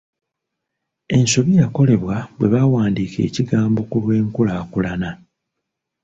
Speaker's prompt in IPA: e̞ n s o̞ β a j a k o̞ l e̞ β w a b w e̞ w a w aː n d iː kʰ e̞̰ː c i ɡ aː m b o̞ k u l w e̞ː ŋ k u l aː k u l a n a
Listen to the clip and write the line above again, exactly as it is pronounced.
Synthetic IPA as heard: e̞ n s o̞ β i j a k o̞ l e̞ β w a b w e̞ β a w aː n d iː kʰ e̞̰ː c i ɡ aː m b o̞ k u l w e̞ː ŋ k u l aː k u l a n a